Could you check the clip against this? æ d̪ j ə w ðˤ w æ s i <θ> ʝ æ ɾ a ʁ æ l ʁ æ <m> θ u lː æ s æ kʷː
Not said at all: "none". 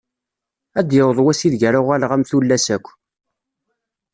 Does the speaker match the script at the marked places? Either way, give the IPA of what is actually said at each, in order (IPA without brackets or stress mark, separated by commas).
ð, m